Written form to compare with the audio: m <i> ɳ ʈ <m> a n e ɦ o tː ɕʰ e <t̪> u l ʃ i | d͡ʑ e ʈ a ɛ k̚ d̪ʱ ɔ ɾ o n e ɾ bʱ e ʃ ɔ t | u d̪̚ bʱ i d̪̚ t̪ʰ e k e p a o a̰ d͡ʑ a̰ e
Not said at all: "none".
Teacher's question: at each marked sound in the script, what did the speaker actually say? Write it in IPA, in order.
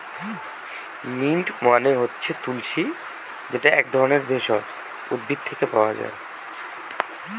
i, m, t̪

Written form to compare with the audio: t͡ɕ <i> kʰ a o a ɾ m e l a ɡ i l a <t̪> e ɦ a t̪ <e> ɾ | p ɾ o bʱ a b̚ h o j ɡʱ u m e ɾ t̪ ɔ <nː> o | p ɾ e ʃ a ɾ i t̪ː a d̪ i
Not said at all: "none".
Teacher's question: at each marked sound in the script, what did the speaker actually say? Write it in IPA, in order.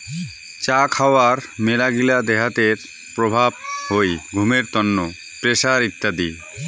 a, d̪, e, nː

